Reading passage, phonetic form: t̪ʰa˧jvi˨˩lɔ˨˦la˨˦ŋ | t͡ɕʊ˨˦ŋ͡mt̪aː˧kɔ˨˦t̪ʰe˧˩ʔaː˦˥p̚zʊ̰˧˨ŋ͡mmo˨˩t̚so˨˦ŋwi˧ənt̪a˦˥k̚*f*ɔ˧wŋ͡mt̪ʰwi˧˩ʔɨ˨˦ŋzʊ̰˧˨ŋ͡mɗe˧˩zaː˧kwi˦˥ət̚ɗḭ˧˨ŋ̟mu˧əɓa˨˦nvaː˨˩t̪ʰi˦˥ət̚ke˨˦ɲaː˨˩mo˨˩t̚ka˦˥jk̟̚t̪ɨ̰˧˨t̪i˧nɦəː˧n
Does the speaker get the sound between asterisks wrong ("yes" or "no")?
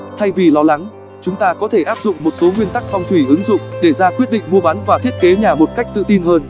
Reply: no